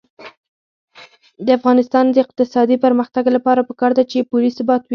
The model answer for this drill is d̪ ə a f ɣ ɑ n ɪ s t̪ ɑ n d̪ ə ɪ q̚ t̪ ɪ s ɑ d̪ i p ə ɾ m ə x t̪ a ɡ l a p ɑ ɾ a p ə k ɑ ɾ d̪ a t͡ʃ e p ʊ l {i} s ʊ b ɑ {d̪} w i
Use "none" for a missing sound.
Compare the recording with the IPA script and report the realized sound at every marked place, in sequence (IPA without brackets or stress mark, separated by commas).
i, t̪